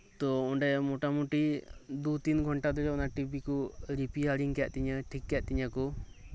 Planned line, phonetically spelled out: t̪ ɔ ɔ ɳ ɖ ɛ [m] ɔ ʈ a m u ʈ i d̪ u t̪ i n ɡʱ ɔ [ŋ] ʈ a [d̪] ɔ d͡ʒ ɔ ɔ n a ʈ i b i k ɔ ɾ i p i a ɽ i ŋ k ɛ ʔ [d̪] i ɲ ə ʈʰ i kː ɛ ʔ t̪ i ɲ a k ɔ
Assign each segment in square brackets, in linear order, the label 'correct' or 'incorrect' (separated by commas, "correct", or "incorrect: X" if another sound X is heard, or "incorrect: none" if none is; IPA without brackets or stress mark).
correct, incorrect: ɳ, correct, incorrect: t̪